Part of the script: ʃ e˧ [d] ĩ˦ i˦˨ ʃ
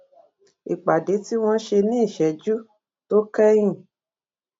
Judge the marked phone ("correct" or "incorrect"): incorrect